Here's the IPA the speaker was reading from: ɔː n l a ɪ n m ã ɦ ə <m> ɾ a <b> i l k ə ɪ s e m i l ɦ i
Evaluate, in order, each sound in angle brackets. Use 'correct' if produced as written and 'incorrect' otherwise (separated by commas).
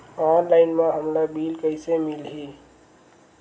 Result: correct, correct